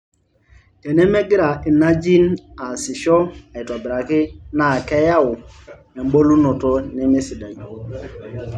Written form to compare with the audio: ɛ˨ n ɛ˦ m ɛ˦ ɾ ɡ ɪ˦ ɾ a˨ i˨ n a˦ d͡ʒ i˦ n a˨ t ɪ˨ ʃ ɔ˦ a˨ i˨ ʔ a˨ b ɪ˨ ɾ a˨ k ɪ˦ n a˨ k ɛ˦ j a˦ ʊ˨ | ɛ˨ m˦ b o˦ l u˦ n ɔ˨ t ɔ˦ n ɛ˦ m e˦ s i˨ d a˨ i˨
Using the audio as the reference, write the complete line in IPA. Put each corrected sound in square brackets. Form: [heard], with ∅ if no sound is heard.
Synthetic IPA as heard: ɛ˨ n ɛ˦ m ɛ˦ [∅] ɡ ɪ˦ ɾ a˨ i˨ n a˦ d͡ʒ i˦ n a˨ [s] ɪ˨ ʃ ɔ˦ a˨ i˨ [t] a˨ b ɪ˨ ɾ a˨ k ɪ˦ n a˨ k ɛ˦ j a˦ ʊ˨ | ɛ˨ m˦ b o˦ l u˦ n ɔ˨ t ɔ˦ n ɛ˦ m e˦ s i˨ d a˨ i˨